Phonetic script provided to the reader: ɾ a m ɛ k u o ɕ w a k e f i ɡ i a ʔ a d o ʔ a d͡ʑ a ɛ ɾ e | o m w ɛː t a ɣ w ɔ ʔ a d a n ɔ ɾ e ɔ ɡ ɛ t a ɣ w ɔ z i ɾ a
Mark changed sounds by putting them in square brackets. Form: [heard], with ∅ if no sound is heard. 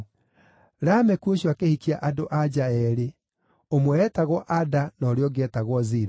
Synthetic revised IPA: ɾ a m ɛ k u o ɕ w a k e [h] i [k] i a ʔ a d o ʔ a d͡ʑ a ɛ ɾ e | o m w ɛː t a ɣ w ɔ ʔ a d a n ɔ ɾ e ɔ ɡ ɛ t a ɣ w ɔ z i ɾ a